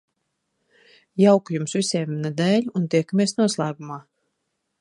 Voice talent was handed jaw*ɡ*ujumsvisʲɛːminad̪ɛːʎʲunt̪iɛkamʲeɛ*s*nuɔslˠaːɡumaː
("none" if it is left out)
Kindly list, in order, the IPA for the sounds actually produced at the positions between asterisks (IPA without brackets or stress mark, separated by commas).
k, s